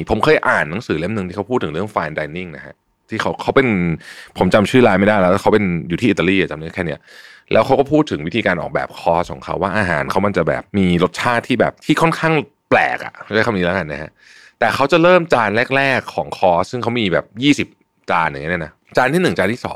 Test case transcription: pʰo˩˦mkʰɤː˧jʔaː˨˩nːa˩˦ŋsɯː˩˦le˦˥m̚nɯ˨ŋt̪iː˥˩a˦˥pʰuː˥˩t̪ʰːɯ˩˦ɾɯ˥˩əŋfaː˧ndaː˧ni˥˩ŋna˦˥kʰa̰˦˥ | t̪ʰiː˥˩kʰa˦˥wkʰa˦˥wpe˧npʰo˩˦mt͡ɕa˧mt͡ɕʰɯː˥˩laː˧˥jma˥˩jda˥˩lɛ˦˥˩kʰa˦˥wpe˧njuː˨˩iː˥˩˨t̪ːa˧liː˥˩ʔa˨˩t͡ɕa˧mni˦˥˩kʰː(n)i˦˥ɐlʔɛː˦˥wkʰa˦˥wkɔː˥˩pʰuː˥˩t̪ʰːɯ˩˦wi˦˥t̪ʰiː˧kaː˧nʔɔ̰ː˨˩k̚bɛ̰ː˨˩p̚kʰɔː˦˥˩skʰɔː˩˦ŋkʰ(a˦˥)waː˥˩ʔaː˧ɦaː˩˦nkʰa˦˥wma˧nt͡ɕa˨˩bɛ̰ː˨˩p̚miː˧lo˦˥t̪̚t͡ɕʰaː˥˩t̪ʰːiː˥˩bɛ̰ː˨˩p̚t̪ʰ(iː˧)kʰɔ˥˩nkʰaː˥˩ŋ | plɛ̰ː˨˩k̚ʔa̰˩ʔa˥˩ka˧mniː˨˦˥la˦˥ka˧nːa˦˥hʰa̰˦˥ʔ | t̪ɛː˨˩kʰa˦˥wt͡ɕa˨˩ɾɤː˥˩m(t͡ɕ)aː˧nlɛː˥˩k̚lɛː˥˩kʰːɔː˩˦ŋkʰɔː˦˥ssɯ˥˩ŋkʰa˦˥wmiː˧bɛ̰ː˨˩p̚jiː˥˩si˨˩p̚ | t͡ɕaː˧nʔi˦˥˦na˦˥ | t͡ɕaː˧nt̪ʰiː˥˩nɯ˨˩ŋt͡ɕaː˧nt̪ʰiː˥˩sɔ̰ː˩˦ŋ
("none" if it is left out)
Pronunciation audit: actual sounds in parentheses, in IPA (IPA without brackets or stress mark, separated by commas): n, a˦˥, iː˥˩, t͡ɕ